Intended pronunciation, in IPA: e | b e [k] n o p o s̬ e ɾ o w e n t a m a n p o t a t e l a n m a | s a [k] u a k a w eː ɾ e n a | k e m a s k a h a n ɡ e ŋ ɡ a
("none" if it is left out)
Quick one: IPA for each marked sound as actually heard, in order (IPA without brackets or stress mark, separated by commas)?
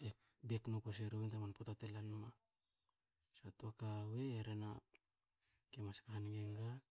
k, t